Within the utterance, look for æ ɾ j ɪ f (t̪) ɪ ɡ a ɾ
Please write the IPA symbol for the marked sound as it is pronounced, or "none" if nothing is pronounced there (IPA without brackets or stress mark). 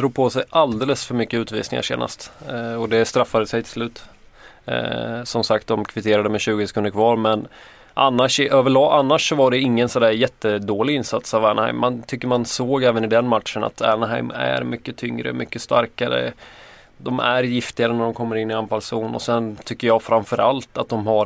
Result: t̪